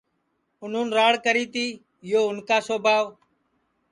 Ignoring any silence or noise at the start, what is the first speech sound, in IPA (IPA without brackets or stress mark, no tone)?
ʊ